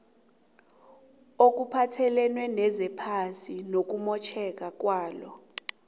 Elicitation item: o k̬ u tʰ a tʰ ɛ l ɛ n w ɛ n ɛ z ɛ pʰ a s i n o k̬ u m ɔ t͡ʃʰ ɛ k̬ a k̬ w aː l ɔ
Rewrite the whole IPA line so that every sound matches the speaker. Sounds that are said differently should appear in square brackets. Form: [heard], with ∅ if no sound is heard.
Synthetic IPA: o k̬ u [pʰ] a tʰ ɛ l ɛ n w ɛ n ɛ z ɛ pʰ a s i n o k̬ u m ɔ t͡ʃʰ ɛ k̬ a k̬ w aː l ɔ